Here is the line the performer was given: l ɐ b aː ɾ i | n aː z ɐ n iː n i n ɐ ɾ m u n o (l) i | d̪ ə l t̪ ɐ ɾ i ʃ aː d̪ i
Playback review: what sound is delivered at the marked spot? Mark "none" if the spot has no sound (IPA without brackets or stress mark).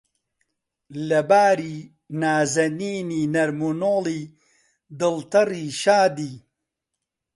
l